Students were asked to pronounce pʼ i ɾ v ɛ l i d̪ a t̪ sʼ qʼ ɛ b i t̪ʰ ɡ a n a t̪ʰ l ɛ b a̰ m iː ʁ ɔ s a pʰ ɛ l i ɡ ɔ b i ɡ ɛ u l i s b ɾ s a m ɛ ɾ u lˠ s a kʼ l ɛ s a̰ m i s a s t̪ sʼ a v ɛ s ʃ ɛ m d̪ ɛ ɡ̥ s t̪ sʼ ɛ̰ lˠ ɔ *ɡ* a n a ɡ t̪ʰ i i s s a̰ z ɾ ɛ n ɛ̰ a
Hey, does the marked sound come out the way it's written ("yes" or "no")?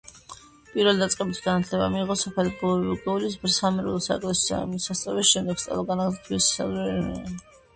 yes